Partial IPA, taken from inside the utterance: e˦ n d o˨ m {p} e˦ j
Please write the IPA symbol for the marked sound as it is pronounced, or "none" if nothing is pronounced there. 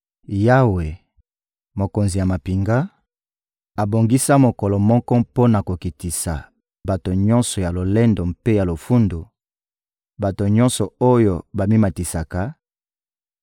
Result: p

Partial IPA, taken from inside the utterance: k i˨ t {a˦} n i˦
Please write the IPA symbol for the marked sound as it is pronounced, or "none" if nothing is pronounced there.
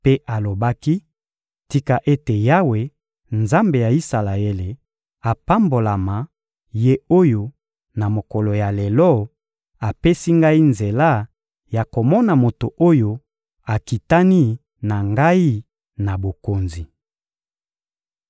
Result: a˦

